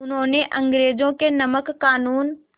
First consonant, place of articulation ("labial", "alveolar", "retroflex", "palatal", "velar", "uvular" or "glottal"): alveolar